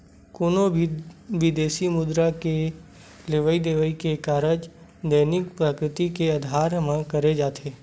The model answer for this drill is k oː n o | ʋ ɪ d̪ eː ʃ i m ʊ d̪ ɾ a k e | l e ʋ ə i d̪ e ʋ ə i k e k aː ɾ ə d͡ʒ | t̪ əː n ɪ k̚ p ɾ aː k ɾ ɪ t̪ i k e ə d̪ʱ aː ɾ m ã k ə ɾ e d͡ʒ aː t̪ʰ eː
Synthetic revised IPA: k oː n o | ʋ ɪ d̪ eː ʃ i m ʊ d̪ ɾ a k e | l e ʋ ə i d̪ e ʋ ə i k e k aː ɾ ə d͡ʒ | d̪ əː n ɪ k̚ p ɾ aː k ɾ ɪ t̪ i k e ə d̪ʱ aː ɾ m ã k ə ɾ e d͡ʒ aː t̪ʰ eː